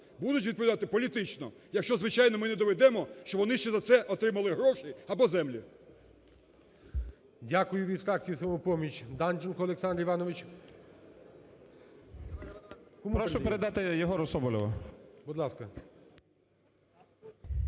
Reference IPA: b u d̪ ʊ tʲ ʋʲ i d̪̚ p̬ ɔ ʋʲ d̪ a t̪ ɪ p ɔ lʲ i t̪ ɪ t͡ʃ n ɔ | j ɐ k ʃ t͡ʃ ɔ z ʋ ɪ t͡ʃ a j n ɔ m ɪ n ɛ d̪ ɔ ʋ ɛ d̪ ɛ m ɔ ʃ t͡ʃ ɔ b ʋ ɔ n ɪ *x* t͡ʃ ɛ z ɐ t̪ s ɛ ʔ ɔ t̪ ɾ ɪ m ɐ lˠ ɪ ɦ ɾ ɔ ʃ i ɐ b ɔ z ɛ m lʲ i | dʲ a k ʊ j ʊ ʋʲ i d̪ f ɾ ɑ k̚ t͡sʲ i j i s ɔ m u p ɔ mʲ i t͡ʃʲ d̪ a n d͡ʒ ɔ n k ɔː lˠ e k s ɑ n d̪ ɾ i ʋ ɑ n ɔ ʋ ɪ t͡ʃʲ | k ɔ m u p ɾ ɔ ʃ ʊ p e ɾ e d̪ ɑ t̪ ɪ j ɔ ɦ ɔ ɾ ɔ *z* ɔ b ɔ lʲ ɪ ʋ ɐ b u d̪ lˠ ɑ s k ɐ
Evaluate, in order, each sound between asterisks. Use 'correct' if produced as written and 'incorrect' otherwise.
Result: incorrect, incorrect

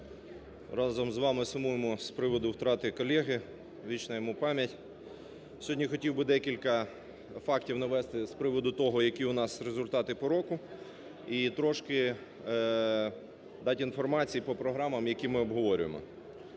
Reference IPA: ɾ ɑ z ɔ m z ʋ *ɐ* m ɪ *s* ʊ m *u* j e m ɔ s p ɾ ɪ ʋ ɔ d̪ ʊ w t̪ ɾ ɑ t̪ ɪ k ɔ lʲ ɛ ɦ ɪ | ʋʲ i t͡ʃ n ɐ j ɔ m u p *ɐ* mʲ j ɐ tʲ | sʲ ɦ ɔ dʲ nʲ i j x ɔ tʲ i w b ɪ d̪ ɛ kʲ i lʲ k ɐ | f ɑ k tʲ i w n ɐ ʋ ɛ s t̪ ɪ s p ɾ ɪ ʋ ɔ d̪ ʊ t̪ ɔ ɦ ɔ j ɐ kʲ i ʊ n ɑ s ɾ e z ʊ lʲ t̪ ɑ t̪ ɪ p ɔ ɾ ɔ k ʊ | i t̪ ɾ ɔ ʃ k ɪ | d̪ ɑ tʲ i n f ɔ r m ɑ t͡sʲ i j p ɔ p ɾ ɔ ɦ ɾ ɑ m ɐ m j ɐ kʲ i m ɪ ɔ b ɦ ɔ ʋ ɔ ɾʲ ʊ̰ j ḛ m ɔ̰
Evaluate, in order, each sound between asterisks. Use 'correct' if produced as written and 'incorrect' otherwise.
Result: incorrect, correct, correct, incorrect

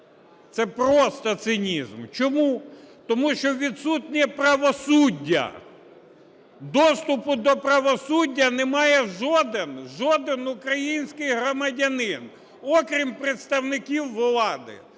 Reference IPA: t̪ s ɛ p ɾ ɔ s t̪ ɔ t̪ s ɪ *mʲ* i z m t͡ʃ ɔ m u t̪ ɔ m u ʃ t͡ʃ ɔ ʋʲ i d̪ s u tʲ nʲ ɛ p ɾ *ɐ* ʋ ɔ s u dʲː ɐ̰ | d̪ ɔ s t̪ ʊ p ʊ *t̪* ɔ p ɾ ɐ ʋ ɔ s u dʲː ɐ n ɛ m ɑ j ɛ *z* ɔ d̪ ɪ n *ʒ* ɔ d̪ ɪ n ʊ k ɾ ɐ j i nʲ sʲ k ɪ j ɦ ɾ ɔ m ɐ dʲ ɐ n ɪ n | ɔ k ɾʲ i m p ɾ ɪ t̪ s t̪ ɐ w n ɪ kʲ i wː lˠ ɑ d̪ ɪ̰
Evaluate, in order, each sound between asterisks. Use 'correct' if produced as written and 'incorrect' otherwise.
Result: incorrect, correct, incorrect, incorrect, correct

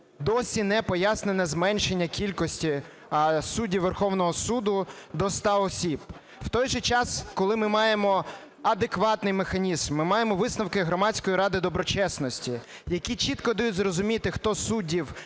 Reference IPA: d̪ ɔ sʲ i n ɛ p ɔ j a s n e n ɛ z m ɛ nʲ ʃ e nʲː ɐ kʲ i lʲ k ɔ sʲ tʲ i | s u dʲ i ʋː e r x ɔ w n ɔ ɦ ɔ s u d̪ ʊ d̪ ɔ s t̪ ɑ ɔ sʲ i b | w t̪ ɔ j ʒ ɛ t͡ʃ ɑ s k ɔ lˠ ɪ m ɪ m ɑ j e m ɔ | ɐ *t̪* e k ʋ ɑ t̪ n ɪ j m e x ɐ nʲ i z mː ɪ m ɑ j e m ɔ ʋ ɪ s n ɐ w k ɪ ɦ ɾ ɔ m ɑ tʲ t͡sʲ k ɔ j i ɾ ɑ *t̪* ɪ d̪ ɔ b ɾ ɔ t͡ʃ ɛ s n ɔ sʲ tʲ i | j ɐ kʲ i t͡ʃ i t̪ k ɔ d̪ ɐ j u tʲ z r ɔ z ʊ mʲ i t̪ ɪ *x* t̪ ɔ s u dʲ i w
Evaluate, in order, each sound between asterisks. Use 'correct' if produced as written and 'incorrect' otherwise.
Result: incorrect, incorrect, correct

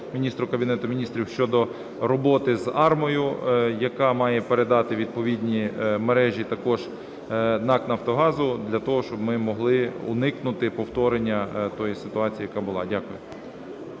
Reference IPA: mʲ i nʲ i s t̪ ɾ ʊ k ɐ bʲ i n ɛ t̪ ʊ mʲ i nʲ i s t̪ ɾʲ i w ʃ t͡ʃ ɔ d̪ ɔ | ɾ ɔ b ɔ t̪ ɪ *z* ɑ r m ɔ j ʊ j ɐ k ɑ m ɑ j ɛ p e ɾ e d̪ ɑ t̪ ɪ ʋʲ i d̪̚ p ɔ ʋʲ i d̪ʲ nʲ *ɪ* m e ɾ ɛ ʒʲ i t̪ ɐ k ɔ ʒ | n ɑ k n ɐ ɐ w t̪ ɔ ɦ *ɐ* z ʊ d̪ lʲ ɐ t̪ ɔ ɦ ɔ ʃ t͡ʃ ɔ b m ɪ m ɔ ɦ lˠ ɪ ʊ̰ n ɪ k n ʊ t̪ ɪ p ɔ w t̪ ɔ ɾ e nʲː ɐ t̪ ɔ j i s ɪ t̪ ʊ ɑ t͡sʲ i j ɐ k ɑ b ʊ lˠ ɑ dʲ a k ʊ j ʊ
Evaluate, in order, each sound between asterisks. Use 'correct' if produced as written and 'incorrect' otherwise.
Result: correct, incorrect, incorrect

